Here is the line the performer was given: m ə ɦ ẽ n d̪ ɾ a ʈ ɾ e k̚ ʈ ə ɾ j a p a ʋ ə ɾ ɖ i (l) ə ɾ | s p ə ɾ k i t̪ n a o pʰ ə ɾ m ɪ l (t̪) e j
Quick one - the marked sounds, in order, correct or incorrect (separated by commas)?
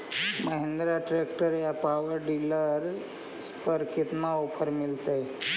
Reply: correct, correct